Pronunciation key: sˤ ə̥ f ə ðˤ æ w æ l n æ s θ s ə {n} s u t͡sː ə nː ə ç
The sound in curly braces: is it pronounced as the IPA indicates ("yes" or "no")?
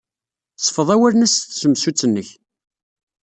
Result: no